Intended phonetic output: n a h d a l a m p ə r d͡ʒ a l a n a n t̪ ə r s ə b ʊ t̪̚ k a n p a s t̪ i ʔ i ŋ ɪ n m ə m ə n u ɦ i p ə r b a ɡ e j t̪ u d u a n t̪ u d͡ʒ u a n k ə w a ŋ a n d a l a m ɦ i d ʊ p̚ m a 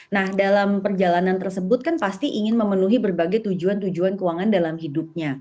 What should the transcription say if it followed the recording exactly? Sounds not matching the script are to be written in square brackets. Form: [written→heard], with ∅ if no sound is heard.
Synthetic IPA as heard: n a h d a l a m p ə r d͡ʒ a l a n a n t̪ ə r s ə b ʊ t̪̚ k a n p a s t̪ i ʔ i ŋ ɪ n m ə m ə n u ɦ i [p→b] ə r b a ɡ [e→a] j t̪ u [d→d͡ʒ] u a n t̪ u d͡ʒ u a n k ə w a ŋ a n d a l a m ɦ i d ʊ p̚ [m→ɲ] a